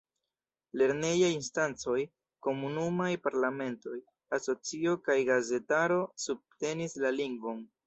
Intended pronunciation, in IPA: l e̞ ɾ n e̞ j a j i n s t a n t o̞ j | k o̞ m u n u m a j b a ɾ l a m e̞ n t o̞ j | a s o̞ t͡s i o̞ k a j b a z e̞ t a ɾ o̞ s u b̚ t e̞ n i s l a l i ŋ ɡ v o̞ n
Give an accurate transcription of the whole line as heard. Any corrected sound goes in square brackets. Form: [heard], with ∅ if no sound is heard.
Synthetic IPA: l e̞ ɾ n e̞ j a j i n s t a n [t͡s] o̞ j | k o̞ m u n u m a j [p] a ɾ l a m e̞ n t o̞ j | a s o̞ t͡s i o̞ k a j [ɡ] a z e̞ t a ɾ o̞ s u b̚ t e̞ n i s l a l i ŋ ɡ v o̞ n

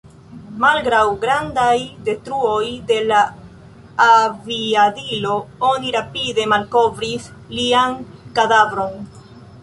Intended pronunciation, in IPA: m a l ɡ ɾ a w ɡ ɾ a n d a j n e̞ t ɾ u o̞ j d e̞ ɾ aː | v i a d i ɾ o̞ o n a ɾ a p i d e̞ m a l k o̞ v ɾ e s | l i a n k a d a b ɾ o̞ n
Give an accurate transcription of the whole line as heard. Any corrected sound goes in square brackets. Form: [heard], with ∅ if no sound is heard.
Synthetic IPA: m a l ɡ ɾ a w ɡ ɾ a n d a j [d] e̞ t ɾ u o̞ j d e̞ [l] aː | v i a d i [l] o̞ o n [i] ɾ a p i d e̞ m a l k o̞ v ɾ [i] s | l i a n k a d a [v] ɾ o̞ n

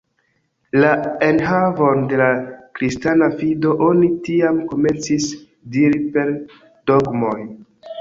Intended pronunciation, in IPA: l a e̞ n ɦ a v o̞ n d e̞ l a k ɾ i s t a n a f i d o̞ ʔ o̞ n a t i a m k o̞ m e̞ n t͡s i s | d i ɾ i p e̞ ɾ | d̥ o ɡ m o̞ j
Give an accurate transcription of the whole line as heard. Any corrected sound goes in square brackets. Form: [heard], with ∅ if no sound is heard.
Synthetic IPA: l a e̞ n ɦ a v o̞ n d e̞ l a k ɾ i s t a n a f i d o̞ ʔ o̞ n [i] t i a m k o̞ m e̞ n t͡s i s | d i ɾ i p e̞ ɾ | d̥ o ɡ m o̞ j

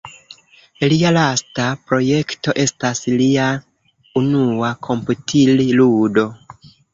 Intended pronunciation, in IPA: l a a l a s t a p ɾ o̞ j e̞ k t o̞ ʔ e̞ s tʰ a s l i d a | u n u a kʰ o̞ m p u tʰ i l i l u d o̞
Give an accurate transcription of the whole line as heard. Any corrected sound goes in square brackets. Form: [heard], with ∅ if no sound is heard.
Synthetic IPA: l [i] a l a s t a p ɾ o̞ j e̞ k t o̞ ʔ e̞ s [t] a s l i [∅] a | u n u a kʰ o̞ m p u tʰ i l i l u d o̞

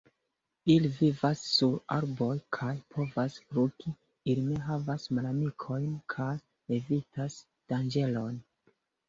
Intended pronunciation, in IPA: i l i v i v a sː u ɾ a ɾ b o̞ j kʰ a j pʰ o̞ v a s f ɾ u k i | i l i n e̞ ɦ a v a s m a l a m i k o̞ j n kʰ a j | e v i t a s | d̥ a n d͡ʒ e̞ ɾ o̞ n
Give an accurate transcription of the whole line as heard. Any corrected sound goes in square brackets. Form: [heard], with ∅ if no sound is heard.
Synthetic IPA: i l i v i v a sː u ɾ a ɾ b o̞ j kʰ a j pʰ o̞ v a s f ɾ u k i | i l i n e̞ ɦ a v a s m a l a m i [kʰ] o̞ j n kʰ a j | e v i t a s | d̥ a n d͡ʒ e̞ [l] o̞ n

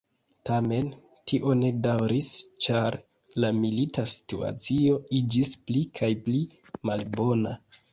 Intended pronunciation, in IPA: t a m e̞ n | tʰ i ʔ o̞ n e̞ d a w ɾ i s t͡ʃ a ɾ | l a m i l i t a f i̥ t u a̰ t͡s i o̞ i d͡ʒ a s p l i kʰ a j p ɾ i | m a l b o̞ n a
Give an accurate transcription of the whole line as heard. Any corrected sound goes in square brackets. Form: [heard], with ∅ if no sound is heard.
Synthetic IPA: t a m e̞ n | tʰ i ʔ o̞ n e̞ d a w ɾ i s t͡ʃ a ɾ | l a m i l i t a [s] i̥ t u a̰ t͡s i o̞ i d͡ʒ [i] s p l i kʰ a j p [l] i | m a l b o̞ n a

